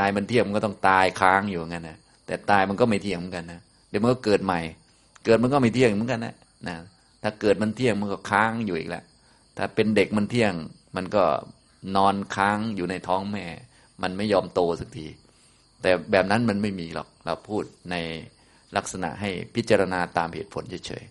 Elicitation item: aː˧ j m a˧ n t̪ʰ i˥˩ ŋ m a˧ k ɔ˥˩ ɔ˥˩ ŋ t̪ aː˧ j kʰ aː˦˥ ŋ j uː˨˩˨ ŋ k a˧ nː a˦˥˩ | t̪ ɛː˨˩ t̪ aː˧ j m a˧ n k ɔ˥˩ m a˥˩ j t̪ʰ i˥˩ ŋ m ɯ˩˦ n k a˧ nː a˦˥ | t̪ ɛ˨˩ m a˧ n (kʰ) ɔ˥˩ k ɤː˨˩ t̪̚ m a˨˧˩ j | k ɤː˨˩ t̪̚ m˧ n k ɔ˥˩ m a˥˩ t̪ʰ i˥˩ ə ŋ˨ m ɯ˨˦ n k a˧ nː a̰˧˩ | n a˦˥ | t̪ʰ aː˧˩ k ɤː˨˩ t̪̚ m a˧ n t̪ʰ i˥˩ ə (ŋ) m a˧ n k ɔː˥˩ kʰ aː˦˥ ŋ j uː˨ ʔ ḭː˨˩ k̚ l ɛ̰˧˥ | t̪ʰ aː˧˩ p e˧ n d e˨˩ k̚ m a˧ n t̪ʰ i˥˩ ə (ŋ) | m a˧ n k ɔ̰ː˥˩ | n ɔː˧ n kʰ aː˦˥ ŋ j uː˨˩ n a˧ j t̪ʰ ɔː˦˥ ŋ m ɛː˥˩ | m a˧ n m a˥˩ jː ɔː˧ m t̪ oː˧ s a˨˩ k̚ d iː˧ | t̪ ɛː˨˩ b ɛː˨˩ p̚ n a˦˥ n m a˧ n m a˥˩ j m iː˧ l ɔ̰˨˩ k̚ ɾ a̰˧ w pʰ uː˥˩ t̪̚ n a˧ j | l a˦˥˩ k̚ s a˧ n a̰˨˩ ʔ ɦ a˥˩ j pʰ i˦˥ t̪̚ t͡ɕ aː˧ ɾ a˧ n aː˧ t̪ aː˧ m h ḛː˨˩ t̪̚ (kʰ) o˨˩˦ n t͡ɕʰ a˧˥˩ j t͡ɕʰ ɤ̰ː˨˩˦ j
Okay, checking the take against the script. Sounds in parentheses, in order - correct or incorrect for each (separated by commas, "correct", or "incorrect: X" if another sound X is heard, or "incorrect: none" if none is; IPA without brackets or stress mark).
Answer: incorrect: k, correct, correct, incorrect: pʰ